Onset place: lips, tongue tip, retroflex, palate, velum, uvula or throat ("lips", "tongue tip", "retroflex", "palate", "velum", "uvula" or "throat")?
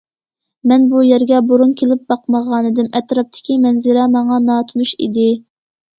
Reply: lips